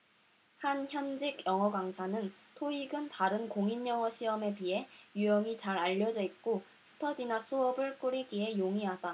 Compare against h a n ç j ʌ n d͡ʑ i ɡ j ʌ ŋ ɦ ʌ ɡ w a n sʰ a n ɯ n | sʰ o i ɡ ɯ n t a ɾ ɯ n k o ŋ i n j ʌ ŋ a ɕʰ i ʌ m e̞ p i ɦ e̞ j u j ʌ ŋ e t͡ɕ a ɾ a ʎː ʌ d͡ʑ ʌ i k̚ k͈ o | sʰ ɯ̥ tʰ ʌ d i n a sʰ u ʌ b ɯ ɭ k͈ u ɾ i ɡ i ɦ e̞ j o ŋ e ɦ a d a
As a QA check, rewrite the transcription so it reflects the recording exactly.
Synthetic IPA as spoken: h a n ç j ʌ n d͡ʑ i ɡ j ʌ ŋ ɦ ʌ ɡ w a ŋ sʰ a n ɯ n | tʰ o i ɡ ɯ n t a ɾ ɯ n k o ŋ i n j ʌ ŋ ʌ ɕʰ i ʌ m e̞ p i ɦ e̞ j u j ʌ ŋ i t͡ɕ a ɾ a ʎː ʌ d͡ʑ ʌ i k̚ k͈ o | sʰ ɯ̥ tʰ ʌ d i n a sʰ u ʌ b ɯ ɭ k͈ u ɾ i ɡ i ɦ e̞ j o ŋ i ɦ a d a